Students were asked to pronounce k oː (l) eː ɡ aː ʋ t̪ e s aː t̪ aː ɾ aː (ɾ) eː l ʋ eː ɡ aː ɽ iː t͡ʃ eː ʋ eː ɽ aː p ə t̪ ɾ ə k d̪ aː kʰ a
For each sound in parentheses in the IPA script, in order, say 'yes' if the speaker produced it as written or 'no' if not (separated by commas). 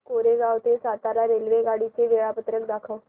no, yes